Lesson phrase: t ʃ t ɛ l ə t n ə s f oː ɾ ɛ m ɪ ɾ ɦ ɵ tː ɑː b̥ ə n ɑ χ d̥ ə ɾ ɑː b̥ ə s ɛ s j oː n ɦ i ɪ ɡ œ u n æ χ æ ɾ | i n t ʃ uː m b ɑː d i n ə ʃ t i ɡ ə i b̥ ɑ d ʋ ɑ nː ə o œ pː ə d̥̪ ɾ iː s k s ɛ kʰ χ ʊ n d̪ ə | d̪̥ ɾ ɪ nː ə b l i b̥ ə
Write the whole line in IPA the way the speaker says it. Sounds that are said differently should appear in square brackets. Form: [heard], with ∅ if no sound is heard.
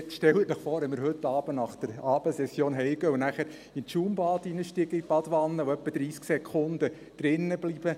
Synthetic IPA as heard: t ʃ t ɛ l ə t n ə [χ] f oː ɾ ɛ m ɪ ɾ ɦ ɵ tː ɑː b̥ ə n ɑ χ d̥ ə ɾ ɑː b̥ ə s ɛ s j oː n ɦ [ɛ] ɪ ɡ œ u n æ χ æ ɾ | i n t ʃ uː m b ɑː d i n ə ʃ t i ɡ ə i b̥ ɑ d ʋ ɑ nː ə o œ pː ə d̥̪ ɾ iː s k s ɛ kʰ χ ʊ n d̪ ə | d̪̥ ɾ ɪ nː ə b l i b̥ ə